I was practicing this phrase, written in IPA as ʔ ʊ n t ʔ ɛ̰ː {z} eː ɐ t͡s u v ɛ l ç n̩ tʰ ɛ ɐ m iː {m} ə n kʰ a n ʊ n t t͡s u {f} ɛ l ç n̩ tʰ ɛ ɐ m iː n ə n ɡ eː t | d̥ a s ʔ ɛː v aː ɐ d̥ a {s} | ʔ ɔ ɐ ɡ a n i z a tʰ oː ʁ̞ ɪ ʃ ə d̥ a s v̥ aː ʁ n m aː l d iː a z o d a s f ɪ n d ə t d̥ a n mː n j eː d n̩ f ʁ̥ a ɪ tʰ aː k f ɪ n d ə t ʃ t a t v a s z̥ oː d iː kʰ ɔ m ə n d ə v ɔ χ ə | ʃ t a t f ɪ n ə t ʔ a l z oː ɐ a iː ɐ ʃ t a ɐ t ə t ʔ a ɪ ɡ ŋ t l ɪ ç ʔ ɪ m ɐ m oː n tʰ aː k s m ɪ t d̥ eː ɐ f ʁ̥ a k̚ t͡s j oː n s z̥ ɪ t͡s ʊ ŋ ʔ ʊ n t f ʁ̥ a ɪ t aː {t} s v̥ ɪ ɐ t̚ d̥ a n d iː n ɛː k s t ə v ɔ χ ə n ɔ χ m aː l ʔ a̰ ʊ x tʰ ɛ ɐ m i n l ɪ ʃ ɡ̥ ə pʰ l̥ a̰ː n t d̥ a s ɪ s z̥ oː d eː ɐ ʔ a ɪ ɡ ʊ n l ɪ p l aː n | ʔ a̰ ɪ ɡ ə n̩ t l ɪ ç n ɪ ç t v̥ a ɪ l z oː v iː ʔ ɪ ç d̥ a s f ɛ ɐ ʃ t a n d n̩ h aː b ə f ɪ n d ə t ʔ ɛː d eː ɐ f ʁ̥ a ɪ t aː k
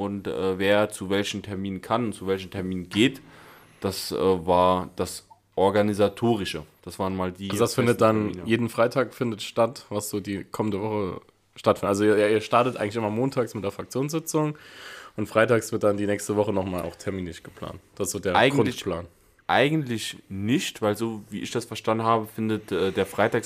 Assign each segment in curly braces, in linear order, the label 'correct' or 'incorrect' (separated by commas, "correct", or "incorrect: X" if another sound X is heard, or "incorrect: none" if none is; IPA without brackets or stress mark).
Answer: incorrect: v, incorrect: n, incorrect: v, correct, incorrect: k